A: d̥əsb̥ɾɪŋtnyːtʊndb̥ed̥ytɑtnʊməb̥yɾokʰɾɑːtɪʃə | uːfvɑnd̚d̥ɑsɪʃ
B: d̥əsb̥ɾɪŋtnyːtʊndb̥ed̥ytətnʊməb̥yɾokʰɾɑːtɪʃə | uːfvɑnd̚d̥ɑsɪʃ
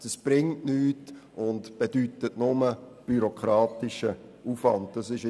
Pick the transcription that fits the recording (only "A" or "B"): B